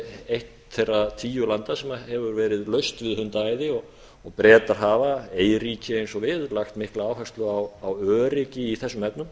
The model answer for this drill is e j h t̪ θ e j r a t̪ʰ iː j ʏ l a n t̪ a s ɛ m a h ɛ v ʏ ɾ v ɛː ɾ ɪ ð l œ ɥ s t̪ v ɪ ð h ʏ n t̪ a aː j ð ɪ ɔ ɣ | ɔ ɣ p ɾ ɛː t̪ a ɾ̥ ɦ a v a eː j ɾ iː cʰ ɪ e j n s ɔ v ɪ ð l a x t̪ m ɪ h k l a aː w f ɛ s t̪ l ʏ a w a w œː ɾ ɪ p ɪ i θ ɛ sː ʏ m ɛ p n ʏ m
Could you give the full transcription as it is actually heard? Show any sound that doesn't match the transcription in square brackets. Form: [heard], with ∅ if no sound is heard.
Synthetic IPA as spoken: e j h t̪ θ e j r a t̪ʰ iː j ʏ l a n t̪ a s ɛ m a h ɛ v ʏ ɾ v ɛː ɾ ɪ ð l œ ɥ s t̪ v ɪ ð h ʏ n t̪ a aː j ð ɪ ɔ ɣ | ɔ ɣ p ɾ ɛː t̪ a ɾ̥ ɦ a v a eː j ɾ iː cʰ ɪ e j n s ɔ v ɪ ð l a x t̪ m ɪ h k l a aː w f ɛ s t̪ l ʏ a w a w œː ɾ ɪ [c] ɪ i θ ɛ sː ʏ m ɛ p n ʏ m